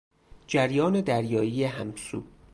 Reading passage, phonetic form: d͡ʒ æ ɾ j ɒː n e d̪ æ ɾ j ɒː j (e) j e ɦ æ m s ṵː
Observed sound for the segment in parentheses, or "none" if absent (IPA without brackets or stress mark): i